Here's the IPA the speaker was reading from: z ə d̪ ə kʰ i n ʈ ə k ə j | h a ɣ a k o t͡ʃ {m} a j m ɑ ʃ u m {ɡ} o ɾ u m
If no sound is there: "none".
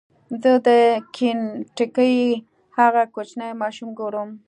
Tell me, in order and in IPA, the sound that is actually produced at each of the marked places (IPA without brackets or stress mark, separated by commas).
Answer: n, ɡ